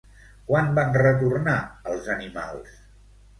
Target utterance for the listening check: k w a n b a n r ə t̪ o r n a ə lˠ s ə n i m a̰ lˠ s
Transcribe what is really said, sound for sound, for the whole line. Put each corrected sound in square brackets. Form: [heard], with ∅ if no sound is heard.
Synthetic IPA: k w a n b a n r ə t̪ [u] r n a ə lˠ [z] ə n i m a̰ lˠ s